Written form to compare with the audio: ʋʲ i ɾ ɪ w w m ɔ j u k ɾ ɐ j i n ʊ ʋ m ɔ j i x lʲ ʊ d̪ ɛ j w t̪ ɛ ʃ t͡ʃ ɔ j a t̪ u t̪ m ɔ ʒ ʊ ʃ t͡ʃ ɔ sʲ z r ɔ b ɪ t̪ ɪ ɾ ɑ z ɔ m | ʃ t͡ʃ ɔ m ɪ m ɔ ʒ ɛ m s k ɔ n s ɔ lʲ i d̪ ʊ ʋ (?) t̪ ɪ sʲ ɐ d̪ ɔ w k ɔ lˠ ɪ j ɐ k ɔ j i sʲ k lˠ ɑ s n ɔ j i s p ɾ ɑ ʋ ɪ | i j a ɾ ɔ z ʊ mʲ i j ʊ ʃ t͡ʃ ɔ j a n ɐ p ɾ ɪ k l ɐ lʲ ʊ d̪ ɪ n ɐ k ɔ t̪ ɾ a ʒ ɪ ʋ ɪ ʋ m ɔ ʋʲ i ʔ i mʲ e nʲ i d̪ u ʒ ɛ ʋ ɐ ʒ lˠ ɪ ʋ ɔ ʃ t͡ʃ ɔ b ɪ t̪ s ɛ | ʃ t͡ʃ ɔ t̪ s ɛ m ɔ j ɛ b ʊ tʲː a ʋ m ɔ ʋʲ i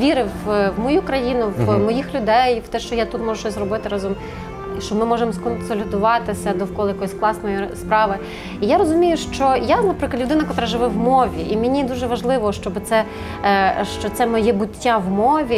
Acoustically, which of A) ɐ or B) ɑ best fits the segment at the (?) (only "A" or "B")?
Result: B